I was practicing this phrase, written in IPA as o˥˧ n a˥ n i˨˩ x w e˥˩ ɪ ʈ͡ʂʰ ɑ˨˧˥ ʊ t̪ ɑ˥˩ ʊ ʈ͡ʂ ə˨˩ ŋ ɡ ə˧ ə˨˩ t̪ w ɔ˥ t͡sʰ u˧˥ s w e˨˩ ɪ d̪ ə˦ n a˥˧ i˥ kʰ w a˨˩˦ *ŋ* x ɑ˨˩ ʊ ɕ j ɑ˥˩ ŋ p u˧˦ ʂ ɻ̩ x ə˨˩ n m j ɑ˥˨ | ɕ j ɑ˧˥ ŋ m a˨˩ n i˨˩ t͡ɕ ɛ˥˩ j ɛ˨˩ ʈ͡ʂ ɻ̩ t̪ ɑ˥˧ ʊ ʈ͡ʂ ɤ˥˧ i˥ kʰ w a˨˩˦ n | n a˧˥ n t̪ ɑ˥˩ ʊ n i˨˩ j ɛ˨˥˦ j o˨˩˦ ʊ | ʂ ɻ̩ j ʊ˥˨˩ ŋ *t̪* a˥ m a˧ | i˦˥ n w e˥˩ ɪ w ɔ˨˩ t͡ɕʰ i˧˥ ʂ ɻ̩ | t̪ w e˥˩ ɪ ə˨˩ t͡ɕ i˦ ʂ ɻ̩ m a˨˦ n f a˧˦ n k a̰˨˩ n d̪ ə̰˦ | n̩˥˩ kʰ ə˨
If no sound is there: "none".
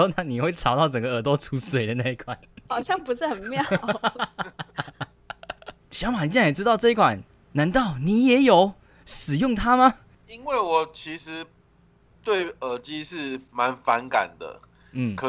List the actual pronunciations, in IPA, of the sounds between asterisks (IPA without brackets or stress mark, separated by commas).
n, t̪ʰ